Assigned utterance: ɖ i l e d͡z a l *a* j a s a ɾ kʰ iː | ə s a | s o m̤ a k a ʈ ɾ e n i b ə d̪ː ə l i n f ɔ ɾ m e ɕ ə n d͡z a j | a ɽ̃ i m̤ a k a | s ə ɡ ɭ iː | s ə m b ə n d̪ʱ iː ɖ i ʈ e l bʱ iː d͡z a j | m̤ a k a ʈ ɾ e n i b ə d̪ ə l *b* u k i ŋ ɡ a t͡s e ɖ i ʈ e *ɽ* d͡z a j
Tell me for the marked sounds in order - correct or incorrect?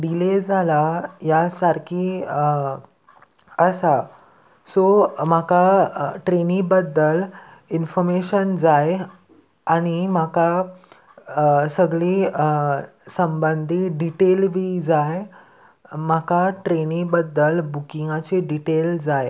correct, correct, incorrect: l

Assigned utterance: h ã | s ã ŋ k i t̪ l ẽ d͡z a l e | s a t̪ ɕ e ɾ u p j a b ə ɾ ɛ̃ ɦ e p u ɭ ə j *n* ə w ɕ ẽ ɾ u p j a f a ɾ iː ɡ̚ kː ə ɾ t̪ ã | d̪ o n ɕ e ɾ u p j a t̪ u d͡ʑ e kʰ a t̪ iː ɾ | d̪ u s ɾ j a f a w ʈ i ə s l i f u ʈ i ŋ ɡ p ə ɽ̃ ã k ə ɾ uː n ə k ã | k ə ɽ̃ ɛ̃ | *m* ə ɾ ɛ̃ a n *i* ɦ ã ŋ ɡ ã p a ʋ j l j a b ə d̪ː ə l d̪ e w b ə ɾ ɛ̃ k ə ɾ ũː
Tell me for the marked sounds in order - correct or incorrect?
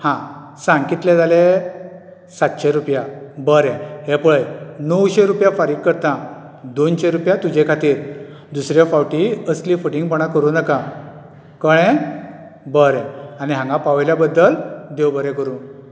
correct, incorrect: b, correct

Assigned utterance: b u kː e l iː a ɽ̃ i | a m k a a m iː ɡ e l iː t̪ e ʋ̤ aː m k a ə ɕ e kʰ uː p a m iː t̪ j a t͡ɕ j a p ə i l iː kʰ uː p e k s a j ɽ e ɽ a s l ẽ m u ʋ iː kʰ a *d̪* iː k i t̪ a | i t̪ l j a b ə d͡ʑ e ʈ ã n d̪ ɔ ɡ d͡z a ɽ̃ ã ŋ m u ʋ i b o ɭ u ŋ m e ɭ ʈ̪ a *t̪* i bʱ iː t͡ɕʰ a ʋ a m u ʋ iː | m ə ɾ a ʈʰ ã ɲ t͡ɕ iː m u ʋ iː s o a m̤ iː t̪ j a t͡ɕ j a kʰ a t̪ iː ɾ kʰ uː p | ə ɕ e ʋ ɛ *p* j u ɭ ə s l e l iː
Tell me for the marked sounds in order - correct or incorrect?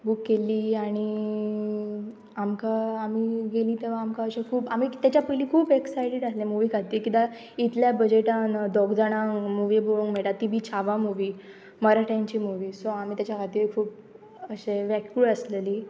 incorrect: t̪, correct, incorrect: k

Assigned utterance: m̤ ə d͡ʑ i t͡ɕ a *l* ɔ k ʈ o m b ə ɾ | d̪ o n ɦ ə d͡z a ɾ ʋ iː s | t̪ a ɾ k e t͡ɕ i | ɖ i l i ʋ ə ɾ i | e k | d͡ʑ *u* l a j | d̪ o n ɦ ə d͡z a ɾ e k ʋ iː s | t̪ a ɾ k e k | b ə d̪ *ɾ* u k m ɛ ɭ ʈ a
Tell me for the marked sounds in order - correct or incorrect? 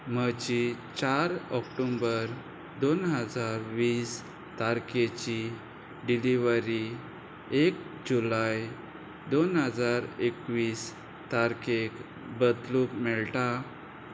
incorrect: ɾ, correct, incorrect: l

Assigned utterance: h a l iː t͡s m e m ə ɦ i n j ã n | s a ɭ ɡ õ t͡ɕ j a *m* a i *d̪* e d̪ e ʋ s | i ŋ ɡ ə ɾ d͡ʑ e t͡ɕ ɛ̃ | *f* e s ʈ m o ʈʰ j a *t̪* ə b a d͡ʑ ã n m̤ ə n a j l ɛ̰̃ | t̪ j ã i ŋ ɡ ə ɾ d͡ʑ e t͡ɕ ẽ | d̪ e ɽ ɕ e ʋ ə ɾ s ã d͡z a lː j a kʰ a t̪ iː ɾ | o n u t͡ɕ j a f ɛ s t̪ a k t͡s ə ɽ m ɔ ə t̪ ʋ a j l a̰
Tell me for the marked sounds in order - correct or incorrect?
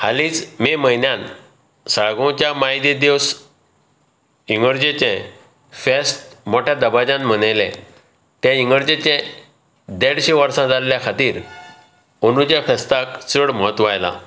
correct, correct, correct, incorrect: d̪

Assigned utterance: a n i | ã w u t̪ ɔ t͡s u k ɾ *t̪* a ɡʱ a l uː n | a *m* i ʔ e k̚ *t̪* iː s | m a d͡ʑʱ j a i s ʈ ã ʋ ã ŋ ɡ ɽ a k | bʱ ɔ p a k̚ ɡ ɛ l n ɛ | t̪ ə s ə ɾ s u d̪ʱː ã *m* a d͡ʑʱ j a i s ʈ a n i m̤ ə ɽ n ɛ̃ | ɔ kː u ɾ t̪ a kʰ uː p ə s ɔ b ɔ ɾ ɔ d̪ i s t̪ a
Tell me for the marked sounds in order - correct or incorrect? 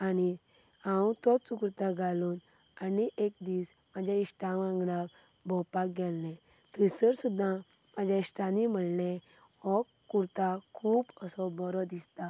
correct, incorrect: n, incorrect: d̪, correct

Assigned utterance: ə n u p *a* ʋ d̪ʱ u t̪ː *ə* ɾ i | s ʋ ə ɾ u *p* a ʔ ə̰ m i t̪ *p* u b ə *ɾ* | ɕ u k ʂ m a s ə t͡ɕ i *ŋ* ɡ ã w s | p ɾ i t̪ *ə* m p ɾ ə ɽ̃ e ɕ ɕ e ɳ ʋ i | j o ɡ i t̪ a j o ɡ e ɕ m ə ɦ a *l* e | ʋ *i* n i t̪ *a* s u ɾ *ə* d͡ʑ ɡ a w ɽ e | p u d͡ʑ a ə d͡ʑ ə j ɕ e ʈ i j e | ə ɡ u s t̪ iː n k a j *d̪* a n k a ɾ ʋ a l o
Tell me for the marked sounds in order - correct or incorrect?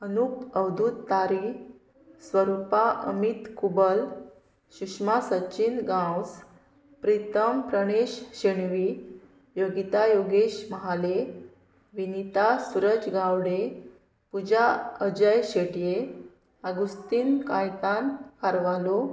incorrect: ə, incorrect: a, correct, incorrect: k, incorrect: l, incorrect: n, correct, correct, correct, correct, correct, incorrect: t̪

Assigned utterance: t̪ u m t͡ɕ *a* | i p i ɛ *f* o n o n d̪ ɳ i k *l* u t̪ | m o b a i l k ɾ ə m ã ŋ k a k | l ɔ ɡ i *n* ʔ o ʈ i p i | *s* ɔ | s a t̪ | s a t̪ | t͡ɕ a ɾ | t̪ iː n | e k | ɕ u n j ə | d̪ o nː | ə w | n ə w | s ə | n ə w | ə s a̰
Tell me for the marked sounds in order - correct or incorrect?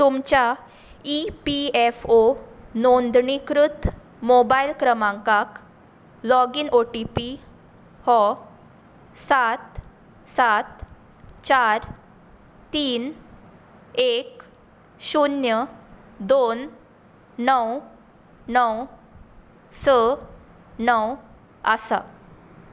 correct, correct, incorrect: ɾ, correct, incorrect: h

